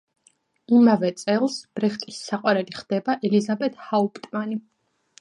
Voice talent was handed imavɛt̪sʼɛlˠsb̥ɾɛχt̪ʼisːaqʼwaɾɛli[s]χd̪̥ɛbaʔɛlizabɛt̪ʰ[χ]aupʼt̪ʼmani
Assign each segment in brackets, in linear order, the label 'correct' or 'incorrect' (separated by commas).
incorrect, incorrect